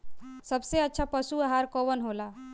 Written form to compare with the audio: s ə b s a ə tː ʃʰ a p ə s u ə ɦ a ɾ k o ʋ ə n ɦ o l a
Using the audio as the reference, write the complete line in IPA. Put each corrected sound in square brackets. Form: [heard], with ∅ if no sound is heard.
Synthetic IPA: s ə b s [e] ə tː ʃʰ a p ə s u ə ɦ a ɾ k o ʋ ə n ɦ o l a